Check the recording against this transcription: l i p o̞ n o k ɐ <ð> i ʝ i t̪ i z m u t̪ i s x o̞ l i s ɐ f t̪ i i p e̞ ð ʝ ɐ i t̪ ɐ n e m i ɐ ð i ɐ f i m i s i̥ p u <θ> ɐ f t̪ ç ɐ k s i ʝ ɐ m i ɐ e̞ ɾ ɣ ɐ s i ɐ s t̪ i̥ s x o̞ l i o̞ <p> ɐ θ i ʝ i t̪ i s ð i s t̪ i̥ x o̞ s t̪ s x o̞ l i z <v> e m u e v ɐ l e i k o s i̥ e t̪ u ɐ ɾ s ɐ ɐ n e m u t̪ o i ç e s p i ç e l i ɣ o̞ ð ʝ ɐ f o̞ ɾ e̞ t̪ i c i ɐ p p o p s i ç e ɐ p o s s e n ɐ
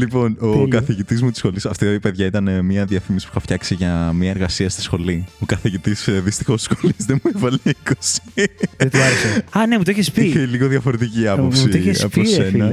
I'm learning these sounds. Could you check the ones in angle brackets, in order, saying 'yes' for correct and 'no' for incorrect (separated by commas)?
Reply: no, no, no, no